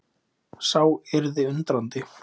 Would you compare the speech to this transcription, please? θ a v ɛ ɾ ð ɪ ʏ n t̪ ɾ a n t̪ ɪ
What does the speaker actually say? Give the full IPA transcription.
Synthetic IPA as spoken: s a w ɛ ɾ ð ɪ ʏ n t̪ ɾ a n t̪ ɪ